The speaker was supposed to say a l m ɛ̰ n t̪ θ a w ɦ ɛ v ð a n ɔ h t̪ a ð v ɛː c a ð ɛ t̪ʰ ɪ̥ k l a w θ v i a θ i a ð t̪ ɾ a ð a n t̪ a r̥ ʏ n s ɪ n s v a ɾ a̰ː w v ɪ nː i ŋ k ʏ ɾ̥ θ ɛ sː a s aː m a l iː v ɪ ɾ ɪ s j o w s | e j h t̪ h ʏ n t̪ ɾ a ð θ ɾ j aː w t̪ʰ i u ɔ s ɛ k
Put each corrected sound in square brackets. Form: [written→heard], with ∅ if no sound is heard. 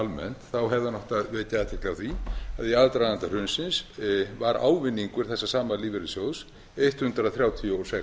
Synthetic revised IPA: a l m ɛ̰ n t̪ θ a w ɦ ɛ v ð a n ɔ h t̪ a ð v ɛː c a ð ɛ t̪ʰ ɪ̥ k l a w θ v i a [θ→ð] i a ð t̪ ɾ a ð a n t̪ a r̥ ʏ n s ɪ n s v a ɾ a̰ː w v ɪ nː i ŋ k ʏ ɾ̥ θ ɛ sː a s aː m a l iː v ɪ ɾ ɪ s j o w s | e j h t̪ h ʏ n t̪ ɾ a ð θ ɾ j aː w t̪ʰ i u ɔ s ɛ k